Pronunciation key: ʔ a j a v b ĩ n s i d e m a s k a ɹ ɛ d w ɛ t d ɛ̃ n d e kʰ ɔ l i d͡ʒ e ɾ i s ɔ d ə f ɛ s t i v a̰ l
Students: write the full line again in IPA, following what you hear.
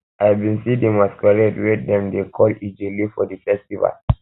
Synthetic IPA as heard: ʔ a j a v b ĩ n s i d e m a s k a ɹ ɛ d w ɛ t d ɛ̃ m d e kʰ ɔ l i d͡ʒ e l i f ɔ d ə f ɛ s t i v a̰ l